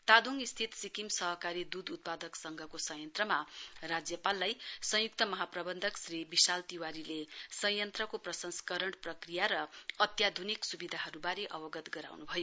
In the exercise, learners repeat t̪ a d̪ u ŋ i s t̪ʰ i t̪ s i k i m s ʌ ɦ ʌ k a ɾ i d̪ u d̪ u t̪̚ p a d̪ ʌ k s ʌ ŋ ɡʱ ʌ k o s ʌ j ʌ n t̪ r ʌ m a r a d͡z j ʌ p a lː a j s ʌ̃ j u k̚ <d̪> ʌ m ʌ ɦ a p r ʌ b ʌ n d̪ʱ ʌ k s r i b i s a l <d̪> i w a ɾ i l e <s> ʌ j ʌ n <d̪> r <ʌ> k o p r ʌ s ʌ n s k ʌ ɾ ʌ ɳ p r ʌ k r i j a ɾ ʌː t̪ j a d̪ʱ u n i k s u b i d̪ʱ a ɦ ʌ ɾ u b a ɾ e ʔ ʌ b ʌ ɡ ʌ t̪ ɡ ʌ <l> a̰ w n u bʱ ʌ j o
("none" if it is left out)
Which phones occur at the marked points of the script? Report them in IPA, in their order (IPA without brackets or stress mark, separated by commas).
t̪, t̪, s, t̪, ʌ, ɾ